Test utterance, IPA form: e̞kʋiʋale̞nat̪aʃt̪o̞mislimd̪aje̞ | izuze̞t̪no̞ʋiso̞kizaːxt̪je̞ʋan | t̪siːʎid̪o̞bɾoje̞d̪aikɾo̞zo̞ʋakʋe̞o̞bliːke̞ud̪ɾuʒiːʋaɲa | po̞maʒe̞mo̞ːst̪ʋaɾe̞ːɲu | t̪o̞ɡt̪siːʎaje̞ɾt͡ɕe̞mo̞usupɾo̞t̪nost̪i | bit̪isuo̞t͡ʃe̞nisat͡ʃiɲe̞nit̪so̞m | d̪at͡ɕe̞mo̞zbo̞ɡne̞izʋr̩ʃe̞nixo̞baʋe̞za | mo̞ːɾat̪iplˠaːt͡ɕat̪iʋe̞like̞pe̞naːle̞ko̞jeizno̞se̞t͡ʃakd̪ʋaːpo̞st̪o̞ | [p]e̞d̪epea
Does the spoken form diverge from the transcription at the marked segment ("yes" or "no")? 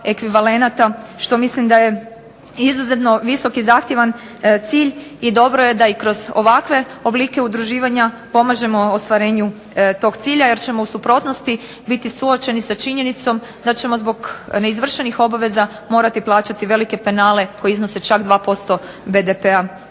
yes